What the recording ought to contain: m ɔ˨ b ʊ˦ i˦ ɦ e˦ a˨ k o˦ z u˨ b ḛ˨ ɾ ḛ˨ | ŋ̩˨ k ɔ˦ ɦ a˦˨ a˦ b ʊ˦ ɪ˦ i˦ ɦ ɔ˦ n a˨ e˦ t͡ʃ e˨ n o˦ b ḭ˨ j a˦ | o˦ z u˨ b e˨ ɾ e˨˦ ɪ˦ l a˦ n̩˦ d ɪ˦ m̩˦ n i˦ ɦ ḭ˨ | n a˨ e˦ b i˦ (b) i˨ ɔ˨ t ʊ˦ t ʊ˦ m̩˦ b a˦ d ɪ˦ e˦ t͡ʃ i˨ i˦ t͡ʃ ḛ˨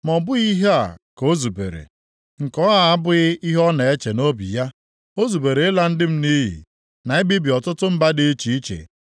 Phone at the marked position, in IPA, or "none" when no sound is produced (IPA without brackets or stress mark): b